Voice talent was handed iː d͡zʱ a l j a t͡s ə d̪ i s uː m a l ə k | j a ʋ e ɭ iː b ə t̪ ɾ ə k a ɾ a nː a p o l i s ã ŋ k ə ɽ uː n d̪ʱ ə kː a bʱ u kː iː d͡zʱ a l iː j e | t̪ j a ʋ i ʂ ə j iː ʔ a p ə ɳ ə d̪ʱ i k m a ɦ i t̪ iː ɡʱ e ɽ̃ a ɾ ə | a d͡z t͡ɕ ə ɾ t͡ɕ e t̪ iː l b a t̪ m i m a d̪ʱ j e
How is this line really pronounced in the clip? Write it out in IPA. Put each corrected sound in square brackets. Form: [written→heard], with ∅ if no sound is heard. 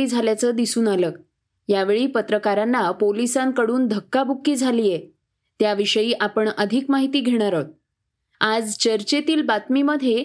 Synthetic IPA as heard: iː d͡zʱ a l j a t͡s ə d̪ i s uː [m→n] a l ə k | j a ʋ e ɭ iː [b→p] ə t̪ ɾ ə k a ɾ a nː a p o l i s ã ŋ k ə ɽ uː n d̪ʱ ə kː a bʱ u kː iː d͡zʱ a l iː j e | t̪ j a ʋ i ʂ ə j iː ʔ a p ə ɳ ə d̪ʱ i k m a ɦ i t̪ iː ɡʱ e ɽ̃ a ɾ ə | a d͡z t͡ɕ ə ɾ t͡ɕ e t̪ iː l b a t̪ m i m [a→ə] d̪ʱ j e